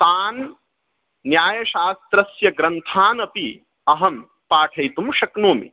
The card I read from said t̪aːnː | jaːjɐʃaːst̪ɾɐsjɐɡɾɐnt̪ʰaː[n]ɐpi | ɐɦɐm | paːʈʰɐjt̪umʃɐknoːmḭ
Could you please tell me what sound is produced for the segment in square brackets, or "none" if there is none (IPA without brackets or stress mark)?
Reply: n